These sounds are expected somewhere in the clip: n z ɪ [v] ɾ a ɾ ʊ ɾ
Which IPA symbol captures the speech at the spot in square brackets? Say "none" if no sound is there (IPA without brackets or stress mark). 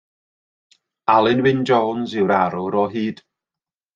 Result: w